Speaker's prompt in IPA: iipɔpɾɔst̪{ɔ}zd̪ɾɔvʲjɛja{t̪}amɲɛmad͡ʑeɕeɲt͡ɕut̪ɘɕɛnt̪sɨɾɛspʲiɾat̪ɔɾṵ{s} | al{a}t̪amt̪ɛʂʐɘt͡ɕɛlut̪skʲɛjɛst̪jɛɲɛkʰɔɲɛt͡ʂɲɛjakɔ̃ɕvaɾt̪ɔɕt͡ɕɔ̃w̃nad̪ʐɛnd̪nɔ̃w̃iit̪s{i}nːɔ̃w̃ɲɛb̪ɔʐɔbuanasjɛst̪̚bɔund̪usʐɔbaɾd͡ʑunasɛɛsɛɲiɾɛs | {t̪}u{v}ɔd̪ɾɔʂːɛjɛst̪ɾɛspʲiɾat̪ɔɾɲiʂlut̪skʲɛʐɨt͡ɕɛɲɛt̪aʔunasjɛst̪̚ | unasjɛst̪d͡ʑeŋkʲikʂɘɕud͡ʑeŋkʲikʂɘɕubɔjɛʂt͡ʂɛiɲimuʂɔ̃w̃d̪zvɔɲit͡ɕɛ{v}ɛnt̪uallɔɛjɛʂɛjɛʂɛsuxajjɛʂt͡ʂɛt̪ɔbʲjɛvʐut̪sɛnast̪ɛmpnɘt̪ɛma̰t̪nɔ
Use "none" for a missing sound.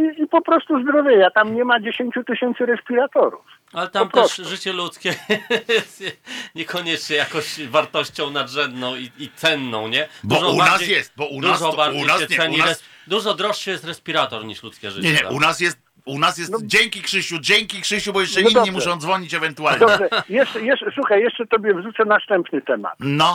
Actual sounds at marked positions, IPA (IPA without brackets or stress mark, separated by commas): u, t̪, f, ɛ, ɛ, d̪, ʐ, v